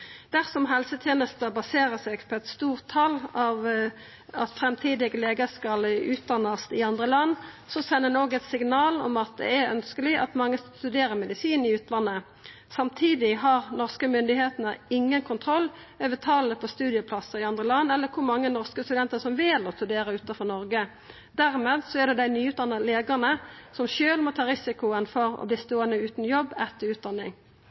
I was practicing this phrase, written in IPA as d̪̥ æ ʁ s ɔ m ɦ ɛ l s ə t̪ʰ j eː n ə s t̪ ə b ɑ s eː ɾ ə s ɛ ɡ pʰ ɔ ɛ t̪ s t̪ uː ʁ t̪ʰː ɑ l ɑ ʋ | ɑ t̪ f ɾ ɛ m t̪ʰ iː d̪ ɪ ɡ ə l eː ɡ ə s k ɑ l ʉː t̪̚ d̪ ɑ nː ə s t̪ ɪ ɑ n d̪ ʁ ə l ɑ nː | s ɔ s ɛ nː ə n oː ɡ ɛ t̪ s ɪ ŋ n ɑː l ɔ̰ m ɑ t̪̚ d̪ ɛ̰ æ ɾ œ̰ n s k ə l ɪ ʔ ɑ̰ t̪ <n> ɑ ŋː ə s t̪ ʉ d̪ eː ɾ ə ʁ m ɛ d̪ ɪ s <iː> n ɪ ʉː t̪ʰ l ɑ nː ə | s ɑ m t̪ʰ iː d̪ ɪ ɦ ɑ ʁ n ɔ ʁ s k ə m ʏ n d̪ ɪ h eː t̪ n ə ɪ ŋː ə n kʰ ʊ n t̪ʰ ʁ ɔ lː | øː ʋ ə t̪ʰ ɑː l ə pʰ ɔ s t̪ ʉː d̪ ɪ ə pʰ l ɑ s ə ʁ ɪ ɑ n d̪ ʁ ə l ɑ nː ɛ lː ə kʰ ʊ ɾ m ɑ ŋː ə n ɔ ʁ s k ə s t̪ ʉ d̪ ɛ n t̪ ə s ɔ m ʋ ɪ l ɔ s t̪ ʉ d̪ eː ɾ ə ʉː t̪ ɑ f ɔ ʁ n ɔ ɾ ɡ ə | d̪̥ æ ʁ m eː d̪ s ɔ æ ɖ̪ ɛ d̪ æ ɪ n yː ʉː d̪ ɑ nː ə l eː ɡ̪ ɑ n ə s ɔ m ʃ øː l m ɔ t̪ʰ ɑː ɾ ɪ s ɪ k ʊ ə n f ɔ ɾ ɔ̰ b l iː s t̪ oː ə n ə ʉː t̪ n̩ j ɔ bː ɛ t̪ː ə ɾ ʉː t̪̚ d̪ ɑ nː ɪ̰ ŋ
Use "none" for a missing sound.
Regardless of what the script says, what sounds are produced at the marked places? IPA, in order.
m, iː

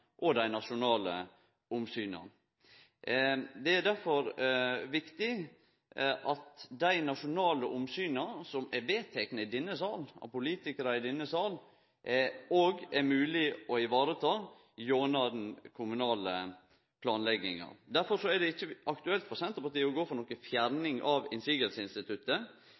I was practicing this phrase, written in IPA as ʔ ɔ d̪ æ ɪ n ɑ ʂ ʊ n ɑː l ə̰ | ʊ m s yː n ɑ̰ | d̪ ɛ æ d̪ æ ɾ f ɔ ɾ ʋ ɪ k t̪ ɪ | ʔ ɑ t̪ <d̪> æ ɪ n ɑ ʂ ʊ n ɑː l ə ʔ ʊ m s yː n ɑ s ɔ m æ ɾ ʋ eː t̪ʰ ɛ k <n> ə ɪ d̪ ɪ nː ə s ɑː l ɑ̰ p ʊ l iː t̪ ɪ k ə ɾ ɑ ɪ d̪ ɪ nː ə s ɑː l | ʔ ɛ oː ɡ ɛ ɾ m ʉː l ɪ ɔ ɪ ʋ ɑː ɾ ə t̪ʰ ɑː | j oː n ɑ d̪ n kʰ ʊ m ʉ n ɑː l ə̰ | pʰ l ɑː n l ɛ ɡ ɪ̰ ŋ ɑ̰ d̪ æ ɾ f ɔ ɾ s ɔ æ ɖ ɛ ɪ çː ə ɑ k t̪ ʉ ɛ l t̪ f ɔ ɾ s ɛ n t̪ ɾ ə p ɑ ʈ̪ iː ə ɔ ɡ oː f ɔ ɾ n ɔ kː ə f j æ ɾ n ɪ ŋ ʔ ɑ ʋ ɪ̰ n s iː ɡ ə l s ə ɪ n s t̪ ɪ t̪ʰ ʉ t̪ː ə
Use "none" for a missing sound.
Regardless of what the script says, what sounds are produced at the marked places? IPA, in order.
d̪, n

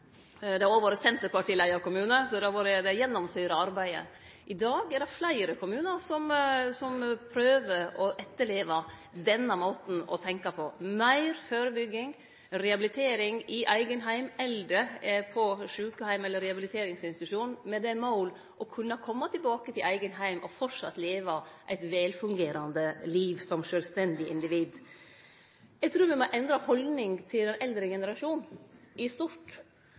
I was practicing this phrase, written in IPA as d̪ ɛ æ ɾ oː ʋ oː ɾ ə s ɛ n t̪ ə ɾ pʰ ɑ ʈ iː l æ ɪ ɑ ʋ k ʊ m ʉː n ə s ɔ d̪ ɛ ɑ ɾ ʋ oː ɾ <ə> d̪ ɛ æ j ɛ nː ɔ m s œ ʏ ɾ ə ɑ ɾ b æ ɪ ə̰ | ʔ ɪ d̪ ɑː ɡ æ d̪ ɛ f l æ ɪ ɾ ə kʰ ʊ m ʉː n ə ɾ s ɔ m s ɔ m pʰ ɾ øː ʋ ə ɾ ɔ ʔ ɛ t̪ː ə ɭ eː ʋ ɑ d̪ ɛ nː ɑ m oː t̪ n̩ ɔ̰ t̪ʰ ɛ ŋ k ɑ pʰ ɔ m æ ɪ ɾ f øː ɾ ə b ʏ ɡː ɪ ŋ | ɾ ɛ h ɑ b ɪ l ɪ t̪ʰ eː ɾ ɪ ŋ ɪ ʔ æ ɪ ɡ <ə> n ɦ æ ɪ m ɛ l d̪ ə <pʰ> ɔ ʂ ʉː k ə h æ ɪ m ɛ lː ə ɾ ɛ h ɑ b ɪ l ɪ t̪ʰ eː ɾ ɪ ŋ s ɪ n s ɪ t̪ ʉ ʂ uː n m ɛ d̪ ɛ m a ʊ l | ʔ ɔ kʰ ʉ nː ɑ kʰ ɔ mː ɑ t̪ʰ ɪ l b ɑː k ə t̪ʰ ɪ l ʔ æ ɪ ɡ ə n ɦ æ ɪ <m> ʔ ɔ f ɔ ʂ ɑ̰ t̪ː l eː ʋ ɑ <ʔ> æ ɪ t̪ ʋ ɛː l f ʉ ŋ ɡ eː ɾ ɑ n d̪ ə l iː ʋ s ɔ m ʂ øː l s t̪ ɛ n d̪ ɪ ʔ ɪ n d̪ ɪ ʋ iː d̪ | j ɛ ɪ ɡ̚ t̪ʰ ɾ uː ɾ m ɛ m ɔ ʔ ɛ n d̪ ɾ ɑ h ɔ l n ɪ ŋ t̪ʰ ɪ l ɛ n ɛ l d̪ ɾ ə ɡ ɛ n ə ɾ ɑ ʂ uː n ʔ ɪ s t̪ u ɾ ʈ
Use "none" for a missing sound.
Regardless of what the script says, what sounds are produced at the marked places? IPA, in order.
ə, ə, pʰ, m, ʔ

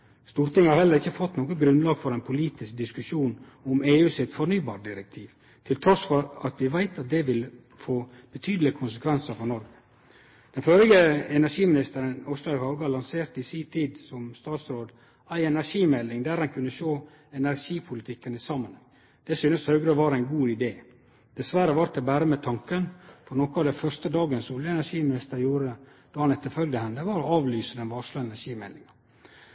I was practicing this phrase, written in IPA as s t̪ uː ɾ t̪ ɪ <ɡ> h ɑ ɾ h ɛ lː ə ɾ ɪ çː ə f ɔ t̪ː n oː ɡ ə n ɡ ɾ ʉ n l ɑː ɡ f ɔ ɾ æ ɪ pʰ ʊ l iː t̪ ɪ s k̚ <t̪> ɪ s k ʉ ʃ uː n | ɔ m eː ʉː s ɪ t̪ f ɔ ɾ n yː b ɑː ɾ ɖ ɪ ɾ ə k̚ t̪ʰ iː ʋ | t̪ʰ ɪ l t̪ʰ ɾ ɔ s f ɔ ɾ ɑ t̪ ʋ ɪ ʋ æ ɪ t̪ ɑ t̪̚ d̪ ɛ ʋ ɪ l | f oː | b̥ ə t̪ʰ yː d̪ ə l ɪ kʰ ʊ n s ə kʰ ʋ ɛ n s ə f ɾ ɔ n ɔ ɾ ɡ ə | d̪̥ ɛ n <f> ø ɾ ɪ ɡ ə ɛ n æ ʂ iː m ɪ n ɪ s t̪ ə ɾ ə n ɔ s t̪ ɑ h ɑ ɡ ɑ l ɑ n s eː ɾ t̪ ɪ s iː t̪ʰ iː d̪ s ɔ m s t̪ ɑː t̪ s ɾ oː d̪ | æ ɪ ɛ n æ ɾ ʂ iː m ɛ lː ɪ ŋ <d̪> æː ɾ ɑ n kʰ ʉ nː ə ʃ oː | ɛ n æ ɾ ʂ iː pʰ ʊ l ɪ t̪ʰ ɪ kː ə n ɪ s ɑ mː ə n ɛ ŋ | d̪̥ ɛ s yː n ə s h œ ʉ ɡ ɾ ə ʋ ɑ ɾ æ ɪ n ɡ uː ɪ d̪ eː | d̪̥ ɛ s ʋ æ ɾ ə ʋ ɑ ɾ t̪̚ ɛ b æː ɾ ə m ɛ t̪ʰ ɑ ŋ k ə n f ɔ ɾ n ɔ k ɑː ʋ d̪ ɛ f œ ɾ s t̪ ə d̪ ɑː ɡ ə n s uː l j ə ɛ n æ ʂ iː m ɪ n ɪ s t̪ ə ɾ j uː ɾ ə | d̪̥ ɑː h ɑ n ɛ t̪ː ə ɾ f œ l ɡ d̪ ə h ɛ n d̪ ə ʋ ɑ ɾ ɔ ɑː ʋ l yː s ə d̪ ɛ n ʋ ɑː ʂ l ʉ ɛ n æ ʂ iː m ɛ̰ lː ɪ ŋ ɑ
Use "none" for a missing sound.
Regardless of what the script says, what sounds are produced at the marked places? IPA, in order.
ŋ, d̪, f, d̪

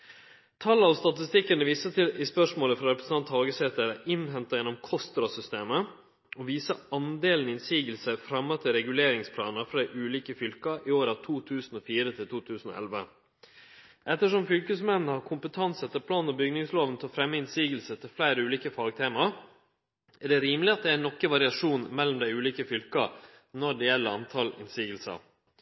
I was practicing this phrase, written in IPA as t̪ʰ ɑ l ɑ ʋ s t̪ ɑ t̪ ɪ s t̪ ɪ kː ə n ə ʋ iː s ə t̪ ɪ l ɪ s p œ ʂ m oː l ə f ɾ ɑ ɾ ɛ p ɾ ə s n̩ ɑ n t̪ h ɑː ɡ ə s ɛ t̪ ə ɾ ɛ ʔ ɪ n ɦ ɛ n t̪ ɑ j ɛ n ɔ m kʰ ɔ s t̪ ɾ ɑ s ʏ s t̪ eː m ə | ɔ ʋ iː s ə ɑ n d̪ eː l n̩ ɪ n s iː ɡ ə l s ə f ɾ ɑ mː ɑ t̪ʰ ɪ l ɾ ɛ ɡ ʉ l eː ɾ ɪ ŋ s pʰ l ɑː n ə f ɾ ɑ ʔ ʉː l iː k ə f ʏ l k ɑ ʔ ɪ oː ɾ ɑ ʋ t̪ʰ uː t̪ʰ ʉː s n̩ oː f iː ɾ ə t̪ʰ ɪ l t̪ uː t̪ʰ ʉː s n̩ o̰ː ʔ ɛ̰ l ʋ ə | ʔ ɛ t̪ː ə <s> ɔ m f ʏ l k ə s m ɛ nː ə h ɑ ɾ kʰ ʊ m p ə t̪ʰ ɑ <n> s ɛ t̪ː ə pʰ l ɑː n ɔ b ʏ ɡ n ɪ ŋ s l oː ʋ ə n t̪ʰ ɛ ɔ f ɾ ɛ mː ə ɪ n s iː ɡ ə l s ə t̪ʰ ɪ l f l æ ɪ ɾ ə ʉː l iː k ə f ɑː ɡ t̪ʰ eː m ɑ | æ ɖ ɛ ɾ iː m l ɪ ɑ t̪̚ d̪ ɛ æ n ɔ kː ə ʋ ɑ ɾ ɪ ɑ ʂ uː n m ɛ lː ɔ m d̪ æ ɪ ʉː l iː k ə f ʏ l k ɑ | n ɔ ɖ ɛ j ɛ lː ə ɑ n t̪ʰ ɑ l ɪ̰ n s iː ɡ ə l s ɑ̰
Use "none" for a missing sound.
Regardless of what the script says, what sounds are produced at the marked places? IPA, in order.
ʂ, n

